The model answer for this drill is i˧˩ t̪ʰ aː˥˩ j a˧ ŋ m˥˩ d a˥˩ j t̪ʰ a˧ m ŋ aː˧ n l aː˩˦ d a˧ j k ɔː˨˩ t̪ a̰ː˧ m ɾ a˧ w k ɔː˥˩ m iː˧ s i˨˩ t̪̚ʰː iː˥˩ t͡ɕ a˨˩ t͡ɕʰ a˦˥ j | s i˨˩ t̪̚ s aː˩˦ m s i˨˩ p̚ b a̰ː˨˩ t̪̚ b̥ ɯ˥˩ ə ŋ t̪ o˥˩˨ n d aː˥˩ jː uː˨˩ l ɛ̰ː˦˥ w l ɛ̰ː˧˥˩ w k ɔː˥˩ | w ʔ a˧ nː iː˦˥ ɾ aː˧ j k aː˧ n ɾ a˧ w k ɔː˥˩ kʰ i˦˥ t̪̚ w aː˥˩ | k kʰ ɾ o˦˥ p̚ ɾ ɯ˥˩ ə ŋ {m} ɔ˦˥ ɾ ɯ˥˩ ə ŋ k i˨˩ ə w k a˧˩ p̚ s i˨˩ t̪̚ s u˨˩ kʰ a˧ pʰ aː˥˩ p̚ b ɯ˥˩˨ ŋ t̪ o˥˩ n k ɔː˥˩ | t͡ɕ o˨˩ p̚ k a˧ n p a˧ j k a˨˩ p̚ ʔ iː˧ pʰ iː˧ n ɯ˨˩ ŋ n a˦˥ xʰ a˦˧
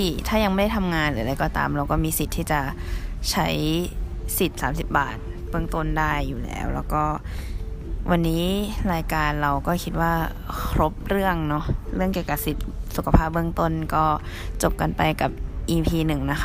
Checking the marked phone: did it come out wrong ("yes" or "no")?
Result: yes